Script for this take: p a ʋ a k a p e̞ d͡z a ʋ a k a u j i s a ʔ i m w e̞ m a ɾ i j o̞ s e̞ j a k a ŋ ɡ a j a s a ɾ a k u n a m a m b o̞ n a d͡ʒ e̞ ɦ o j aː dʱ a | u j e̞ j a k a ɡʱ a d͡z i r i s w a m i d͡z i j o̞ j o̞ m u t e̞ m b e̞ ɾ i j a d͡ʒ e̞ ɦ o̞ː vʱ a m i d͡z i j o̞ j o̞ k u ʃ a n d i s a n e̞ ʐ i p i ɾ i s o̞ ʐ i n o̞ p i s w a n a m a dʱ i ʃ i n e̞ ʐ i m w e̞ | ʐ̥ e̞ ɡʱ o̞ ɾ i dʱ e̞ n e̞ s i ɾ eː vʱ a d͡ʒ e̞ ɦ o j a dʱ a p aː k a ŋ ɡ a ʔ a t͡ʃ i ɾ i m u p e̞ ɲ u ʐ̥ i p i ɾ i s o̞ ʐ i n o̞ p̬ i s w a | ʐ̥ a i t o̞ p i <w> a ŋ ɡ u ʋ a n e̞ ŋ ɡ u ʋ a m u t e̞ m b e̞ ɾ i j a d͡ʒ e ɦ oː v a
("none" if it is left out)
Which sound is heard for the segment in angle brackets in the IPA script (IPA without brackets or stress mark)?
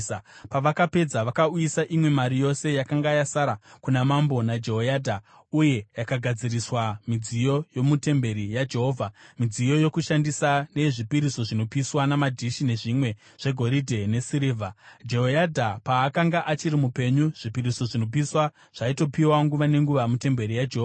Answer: w